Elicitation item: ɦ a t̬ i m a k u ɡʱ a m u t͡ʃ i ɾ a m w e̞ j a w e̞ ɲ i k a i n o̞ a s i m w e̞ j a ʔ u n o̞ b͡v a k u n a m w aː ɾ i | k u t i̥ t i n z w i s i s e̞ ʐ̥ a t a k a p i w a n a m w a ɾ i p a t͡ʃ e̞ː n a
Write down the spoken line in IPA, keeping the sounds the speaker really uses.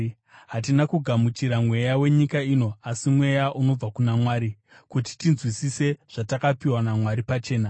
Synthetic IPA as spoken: ɦ a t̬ i n a k u ɡʱ a m u t͡ʃ i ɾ a m w e̞ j a w e̞ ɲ i k a i n o̞ a s i m w e̞ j a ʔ u n o̞ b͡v a k u n a m w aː ɾ i | k u t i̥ t i n z w i s i s e̞ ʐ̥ a t a k a p i w a n a m w a ɾ i p a t͡ʃ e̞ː n a